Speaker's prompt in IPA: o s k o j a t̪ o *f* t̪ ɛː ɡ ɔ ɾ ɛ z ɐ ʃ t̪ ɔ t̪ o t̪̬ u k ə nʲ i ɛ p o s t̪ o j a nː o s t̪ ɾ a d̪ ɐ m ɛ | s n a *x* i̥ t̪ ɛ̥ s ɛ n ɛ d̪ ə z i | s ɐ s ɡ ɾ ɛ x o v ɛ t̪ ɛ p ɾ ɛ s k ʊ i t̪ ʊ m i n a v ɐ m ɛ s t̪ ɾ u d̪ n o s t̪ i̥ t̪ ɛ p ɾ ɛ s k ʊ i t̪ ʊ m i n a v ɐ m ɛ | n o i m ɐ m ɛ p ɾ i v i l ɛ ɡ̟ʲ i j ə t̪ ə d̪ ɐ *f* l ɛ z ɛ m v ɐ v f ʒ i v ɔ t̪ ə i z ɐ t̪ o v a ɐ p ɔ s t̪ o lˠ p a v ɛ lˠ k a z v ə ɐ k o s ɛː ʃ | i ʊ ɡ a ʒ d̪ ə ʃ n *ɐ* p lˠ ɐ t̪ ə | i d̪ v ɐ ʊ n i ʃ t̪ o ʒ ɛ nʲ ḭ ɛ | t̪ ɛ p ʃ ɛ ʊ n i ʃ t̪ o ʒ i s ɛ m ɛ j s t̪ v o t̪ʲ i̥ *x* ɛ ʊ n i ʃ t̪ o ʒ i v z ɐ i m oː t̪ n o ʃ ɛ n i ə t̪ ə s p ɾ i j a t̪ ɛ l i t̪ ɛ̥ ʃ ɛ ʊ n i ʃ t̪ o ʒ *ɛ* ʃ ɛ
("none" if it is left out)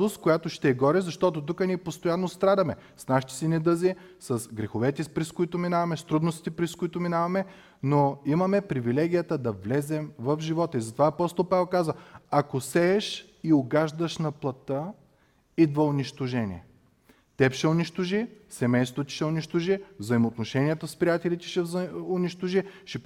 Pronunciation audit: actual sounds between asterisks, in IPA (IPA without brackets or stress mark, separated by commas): ʃ, ʃ, v, ɐ, ʃ, i